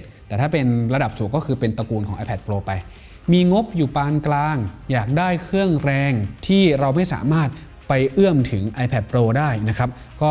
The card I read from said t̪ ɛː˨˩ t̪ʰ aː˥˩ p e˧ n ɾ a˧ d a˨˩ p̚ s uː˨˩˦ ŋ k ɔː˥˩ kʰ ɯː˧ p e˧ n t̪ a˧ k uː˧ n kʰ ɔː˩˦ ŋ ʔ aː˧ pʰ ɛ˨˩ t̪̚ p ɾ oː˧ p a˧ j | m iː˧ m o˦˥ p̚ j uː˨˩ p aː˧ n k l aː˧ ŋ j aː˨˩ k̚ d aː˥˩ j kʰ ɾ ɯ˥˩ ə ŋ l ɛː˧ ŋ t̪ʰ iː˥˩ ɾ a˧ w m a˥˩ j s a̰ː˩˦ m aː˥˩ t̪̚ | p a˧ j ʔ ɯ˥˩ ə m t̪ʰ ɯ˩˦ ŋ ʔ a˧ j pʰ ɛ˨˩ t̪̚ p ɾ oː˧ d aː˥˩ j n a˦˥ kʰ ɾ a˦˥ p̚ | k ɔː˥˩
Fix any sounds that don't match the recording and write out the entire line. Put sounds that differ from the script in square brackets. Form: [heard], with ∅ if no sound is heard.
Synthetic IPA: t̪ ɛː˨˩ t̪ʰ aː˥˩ p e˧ n ɾ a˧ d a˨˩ p̚ s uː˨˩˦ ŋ k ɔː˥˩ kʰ ɯː˧ p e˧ n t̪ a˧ k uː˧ n kʰ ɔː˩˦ ŋ ʔ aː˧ pʰ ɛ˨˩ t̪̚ p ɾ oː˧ p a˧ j | m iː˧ [ŋ] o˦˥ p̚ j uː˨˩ p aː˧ n k l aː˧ ŋ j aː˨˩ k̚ d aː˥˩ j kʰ ɾ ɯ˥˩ ə ŋ [ɾ] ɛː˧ ŋ t̪ʰ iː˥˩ ɾ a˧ w m a˥˩ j s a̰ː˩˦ m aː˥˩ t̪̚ | p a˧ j ʔ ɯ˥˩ ə m t̪ʰ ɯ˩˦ ŋ ʔ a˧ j pʰ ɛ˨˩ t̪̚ p ɾ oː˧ d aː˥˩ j n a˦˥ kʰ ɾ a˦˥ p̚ | k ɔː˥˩